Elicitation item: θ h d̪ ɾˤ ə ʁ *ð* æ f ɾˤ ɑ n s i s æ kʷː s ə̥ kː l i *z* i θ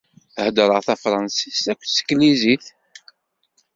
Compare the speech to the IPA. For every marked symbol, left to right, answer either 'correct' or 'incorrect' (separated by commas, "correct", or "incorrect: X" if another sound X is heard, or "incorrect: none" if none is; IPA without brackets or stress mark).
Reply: incorrect: θ, correct